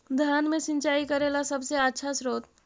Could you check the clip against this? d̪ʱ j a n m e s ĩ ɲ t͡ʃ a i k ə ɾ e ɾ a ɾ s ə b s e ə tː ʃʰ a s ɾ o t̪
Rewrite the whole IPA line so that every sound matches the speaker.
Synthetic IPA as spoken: d̪ʱ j a n m e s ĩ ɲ t͡ʃ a i k ə ɾ e l a s ə b s e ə tː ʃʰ a s ɾ o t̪